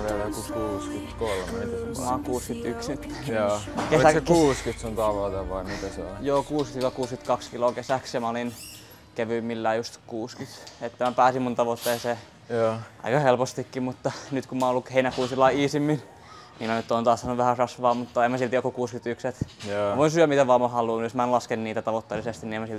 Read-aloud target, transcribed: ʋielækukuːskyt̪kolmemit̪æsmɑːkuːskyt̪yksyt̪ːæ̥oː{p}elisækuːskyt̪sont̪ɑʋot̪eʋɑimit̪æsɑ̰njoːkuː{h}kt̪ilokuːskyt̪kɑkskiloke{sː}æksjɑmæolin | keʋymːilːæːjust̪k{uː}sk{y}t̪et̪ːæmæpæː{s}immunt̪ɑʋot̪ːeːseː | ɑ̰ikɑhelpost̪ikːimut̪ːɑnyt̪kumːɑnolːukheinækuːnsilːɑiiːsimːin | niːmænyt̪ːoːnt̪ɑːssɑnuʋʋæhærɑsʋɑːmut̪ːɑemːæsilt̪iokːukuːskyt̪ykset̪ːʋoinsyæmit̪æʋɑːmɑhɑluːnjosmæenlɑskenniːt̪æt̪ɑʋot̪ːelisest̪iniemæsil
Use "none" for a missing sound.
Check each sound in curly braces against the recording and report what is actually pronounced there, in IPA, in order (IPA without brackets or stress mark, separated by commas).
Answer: k, s, s, uː, y, s